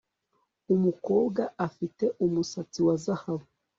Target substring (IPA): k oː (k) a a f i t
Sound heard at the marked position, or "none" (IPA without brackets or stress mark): ɡ